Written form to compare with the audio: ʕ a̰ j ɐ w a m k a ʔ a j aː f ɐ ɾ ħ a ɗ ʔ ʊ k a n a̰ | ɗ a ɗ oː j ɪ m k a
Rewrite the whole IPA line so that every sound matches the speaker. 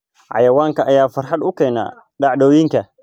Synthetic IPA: ʕ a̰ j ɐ w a ŋ k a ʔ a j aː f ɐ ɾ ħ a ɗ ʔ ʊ k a n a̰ | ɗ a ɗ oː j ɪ ŋ k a